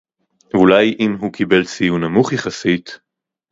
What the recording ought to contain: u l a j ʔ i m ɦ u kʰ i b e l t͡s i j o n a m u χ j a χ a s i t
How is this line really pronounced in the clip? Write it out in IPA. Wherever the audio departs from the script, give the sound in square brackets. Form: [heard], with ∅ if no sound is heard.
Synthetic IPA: u l a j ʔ i m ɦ u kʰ i b e l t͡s i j [u] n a m u χ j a χ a s i t